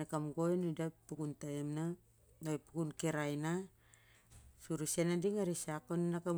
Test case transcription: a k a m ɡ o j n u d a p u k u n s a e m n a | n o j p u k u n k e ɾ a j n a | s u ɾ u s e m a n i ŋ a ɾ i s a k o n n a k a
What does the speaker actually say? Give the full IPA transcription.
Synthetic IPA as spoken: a k a m ɡ o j n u d a p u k u n t a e m n a | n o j p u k u n k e ɾ a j n a | s u ɾ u s e n a d i ŋ a ɾ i s a k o n n a k a